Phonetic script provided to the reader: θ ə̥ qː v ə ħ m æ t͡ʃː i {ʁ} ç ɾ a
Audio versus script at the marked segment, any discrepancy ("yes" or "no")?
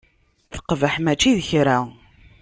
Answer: yes